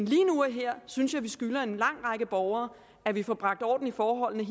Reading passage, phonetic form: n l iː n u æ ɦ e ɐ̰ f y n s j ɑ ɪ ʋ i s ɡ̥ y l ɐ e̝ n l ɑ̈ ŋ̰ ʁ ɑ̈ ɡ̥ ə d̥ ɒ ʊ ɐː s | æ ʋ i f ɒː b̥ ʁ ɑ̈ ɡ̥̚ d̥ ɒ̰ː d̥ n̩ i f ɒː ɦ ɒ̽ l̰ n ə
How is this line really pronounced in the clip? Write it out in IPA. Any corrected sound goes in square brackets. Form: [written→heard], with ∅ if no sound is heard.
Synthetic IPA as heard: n l iː n u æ ɦ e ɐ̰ [f→s] y n s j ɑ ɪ ʋ i s ɡ̥ y l ɐ e̝ n l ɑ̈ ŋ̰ ʁ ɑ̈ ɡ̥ ə [d̥→b̥] ɒ ʊ ɐː [s→∅] | æ ʋ i f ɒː b̥ ʁ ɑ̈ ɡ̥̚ d̥ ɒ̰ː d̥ n̩ i f ɒː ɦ ɒ̽ l̰ n ə